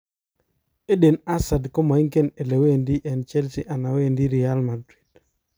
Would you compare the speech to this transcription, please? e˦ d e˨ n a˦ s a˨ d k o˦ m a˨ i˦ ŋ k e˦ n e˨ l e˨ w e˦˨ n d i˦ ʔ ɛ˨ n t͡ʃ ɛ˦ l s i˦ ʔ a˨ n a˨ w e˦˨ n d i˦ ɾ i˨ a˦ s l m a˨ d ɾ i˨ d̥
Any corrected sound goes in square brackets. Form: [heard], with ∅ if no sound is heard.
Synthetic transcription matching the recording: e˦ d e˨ n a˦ s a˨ d k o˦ m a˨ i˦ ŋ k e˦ n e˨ l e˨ w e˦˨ n d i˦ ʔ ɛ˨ n t͡ʃ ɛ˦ l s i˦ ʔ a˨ n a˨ w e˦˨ n d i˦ ɾ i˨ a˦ [∅] l m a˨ d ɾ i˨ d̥